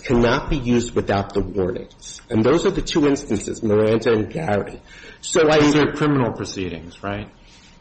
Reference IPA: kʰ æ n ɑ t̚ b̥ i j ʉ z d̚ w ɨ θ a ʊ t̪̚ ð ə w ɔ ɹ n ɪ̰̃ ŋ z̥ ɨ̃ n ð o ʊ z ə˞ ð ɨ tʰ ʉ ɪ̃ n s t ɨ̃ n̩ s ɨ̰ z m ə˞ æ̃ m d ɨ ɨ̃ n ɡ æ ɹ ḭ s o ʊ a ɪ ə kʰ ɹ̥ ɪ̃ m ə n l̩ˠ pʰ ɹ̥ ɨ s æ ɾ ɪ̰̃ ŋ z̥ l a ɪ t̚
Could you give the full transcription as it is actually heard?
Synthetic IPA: kʰ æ n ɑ t̚ b̥ i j ʉ z d̚ w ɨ θ a ʊ t̪̚ ð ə w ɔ ɹ n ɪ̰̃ ŋ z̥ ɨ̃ n ð o ʊ z ə˞ ð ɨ tʰ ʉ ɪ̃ n s t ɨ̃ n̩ s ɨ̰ z m ə˞ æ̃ n d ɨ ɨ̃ n ɡ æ ɹ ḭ s o ʊ a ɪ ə kʰ ɹ̥ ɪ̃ m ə n l̩ˠ pʰ ɹ̥ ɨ s i ɾ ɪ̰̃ ŋ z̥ ɹ a ɪ t̚

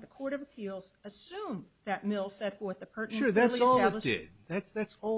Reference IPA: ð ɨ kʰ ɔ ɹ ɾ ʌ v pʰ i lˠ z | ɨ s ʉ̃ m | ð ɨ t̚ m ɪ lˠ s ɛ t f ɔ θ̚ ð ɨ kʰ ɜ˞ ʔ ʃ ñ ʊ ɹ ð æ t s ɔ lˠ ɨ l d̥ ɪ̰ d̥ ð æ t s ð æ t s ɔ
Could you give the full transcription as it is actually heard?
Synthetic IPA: ð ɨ kʰ ɔ ɹ ɾ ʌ v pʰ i lˠ z | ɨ s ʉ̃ m | ð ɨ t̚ m ɪ lˠ s ɛ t f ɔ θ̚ ð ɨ pʰ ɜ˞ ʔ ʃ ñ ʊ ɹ ð æ t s ɔ lˠ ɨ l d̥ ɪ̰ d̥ ð æ t s ð æ t s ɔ

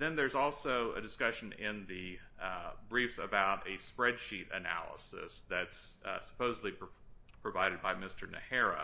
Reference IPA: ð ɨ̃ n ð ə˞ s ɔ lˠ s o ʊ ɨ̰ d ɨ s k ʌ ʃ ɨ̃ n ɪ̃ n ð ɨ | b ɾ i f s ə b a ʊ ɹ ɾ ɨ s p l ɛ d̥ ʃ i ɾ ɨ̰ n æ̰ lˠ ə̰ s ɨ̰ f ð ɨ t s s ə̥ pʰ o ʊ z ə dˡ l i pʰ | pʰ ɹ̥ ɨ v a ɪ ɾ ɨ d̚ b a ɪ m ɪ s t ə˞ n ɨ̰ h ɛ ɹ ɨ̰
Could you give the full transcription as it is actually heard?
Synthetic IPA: ð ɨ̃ n ð ə˞ z ɔ lˠ s o ʊ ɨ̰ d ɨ s k ʌ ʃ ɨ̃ n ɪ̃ n ð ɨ | b ɹ i f s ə b a ʊ ɾ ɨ s p ɹ ɛ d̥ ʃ i ɾ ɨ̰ n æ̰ lˠ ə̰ s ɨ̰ s ð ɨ t s s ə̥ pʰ o ʊ z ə dˡ l i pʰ | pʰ ɹ̥ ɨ v a ɪ ɾ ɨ d̚ b a ɪ m ɪ s t ə˞ n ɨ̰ h ɛ ɹ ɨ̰

